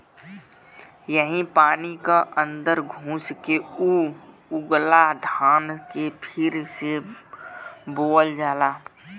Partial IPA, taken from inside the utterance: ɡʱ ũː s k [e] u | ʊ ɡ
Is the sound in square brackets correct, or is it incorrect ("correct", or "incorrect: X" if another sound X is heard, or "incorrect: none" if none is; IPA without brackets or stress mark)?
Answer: correct